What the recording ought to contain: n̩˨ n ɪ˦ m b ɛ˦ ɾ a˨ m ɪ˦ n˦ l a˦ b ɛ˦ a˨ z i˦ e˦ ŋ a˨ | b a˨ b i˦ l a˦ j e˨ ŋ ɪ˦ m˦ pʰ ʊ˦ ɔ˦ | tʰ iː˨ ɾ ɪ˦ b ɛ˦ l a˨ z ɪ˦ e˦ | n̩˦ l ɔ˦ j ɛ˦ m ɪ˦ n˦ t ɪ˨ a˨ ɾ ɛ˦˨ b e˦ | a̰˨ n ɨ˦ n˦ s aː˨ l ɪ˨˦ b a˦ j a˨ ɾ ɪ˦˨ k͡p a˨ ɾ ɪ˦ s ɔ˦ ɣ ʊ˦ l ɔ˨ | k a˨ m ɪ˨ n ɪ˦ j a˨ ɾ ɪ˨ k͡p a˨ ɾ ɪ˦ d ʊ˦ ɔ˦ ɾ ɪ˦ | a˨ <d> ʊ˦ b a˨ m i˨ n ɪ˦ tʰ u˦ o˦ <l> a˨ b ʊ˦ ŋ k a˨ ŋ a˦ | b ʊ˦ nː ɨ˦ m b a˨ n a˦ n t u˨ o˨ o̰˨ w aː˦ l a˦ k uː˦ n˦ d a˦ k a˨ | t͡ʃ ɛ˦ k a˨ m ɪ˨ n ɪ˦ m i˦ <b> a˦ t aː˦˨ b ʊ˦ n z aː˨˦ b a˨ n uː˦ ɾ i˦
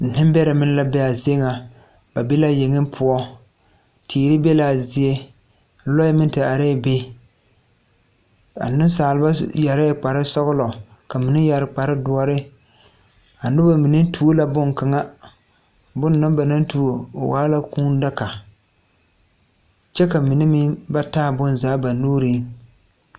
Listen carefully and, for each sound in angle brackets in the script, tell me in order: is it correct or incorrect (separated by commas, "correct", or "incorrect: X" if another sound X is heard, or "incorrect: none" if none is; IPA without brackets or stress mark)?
incorrect: n, correct, correct